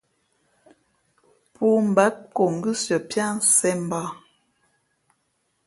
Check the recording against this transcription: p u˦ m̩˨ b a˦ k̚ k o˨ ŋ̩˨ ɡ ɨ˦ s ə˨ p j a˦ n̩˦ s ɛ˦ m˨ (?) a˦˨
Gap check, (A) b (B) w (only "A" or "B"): A